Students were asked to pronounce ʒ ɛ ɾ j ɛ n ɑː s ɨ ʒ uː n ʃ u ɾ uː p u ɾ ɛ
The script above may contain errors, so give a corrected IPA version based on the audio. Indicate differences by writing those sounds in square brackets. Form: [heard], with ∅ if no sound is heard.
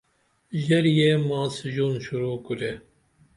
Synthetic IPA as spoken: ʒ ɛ ɾ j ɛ [m] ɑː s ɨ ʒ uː n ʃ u ɾ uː [k] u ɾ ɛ